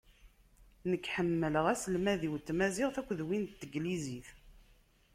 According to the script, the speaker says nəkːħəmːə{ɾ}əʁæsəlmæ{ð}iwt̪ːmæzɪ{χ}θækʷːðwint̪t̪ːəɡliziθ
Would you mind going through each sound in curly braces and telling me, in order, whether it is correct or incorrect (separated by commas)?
incorrect, correct, incorrect